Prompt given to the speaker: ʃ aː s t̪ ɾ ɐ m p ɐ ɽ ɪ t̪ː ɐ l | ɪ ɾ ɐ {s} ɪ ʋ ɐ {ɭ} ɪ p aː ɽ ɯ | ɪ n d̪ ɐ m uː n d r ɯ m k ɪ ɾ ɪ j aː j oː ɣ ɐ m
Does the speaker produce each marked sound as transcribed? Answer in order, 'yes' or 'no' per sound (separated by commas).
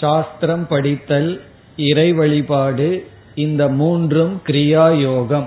no, yes